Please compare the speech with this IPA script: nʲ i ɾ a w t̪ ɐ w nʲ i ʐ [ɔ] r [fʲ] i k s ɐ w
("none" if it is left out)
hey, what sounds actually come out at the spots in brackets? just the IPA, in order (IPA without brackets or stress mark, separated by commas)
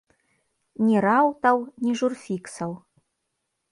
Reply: u, fʲ